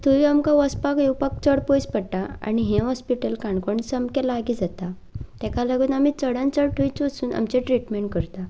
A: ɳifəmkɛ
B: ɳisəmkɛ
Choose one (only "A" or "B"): B